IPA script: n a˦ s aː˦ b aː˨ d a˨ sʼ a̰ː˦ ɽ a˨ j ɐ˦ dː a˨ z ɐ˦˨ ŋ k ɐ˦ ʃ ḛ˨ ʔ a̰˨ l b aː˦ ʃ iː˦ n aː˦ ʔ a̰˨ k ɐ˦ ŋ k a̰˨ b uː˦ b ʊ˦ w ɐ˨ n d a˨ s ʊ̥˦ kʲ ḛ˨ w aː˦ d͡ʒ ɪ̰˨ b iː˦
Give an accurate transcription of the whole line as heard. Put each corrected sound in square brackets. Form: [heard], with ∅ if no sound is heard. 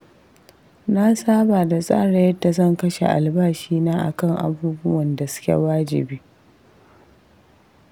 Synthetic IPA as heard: n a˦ s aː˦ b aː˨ d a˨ sʼ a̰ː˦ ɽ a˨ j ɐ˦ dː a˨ z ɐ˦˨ ŋ k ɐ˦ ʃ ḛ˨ ʔ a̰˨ l b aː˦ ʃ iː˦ n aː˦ ʔ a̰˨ k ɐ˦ ŋ [ʔ] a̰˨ b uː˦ b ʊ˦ w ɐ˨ n d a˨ s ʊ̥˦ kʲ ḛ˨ w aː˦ d͡ʒ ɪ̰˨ b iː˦